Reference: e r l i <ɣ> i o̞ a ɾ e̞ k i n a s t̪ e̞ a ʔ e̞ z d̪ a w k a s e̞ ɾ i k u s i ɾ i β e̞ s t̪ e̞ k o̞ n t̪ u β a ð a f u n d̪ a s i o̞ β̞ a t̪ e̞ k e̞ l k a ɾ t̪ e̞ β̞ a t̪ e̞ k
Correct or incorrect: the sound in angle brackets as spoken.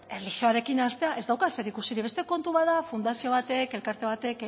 incorrect: x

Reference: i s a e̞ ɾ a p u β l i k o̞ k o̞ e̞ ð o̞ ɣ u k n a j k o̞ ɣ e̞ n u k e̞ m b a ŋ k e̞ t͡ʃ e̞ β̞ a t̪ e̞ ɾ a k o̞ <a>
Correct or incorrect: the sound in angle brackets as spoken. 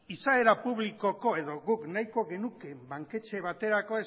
incorrect: e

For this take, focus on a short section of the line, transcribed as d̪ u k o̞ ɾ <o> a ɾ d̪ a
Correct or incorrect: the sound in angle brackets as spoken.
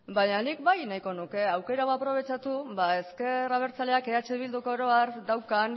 correct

